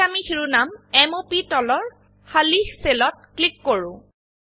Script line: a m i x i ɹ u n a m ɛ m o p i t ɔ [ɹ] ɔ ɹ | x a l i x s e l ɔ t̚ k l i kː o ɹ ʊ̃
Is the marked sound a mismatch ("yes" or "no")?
yes